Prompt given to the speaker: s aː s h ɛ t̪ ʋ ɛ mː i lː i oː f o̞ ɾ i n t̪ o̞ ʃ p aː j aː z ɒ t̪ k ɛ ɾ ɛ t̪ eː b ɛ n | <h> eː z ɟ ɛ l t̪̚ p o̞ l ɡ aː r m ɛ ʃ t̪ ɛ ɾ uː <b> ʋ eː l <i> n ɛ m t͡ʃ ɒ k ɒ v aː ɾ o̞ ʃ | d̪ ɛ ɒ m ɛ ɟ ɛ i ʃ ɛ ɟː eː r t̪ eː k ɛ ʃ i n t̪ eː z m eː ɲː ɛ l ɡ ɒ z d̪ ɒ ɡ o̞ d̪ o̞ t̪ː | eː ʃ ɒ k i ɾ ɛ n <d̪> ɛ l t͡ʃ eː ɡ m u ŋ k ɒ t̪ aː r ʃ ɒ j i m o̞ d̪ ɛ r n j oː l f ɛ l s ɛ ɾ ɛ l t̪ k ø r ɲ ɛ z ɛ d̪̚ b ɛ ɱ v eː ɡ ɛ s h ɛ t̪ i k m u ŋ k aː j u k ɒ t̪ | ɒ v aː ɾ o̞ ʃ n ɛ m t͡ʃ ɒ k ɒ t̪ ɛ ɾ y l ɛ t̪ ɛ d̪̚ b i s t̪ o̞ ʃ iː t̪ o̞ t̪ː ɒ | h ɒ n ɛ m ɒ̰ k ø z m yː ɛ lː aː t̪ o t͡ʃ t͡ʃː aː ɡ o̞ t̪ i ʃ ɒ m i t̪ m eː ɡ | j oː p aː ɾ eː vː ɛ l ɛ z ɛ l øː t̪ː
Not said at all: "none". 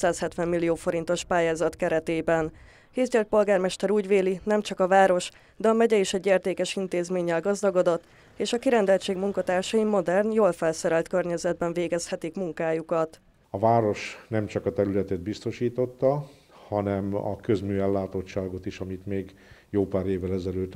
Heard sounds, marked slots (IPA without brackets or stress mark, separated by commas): h, ɟ, i, d̪